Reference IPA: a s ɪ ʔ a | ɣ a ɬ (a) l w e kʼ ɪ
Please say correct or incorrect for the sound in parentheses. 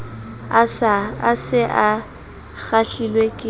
incorrect